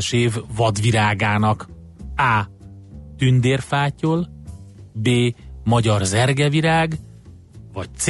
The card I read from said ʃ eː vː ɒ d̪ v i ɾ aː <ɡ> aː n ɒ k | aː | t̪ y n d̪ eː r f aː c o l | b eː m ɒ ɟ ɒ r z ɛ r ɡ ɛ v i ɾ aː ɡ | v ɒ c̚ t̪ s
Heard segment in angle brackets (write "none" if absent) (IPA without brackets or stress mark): ɡ